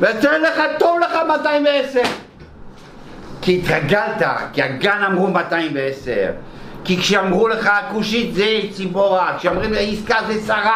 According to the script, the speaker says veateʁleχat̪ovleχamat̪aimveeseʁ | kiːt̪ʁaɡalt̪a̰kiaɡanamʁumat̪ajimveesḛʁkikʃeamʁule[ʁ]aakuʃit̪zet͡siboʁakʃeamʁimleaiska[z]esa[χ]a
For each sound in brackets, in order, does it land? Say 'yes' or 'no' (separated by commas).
no, yes, no